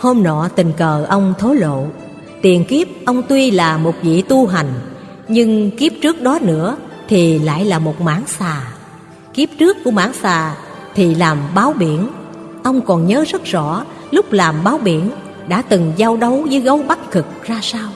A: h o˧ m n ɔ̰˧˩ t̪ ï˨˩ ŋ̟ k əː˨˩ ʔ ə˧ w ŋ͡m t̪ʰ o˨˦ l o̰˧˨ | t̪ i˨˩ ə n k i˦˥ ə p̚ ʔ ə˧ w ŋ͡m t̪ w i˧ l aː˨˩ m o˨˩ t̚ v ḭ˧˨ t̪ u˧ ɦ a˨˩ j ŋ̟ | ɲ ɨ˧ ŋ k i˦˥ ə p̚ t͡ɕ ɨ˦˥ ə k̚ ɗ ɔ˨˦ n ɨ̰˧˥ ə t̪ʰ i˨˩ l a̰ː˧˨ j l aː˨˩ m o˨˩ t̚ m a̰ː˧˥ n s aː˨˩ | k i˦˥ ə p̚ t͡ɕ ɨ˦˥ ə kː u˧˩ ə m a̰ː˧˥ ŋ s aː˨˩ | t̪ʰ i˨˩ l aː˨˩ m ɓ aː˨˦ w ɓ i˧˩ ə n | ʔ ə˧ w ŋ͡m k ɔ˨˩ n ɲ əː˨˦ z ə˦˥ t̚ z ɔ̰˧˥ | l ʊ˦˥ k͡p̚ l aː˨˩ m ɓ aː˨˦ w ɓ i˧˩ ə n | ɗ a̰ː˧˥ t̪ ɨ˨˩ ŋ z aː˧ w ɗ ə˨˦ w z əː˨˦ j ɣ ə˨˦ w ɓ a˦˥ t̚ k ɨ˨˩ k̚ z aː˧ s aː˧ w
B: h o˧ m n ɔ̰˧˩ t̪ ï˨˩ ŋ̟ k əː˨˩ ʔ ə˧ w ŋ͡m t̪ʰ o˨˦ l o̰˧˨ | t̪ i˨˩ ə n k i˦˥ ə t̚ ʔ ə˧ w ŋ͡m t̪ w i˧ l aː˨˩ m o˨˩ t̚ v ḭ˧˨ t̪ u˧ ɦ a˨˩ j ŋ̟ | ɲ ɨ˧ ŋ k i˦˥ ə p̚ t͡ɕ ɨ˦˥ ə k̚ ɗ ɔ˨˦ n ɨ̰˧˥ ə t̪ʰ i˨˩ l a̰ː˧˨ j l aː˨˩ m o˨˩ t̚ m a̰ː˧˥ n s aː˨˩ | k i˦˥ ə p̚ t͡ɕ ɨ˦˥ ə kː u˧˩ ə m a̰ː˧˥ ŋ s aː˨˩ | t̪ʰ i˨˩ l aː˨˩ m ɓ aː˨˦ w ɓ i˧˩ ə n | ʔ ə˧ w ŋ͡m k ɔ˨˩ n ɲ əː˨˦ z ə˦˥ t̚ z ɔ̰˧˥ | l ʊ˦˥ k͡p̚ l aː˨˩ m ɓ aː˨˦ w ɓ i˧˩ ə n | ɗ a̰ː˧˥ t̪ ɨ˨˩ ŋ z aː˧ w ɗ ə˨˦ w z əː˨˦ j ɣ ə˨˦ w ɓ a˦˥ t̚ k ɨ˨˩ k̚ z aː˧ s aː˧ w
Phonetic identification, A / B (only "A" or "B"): A